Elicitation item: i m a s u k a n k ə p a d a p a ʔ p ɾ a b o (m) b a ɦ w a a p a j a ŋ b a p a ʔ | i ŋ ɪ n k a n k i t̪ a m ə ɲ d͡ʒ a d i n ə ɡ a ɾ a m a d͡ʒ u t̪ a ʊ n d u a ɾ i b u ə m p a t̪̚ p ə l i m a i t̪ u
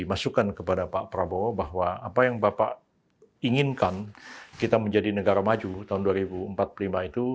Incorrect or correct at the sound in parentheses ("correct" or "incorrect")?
incorrect